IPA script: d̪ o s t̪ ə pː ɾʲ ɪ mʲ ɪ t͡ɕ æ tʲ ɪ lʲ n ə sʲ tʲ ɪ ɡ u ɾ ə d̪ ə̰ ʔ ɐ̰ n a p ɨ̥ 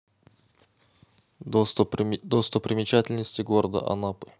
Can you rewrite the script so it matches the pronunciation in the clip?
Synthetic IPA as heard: d̪ o s t̪ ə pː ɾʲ ɪ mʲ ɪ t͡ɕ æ tʲ ɪ lʲ n ə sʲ tʲ ɪ ɡ o ɾ ə d̪ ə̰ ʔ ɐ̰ n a p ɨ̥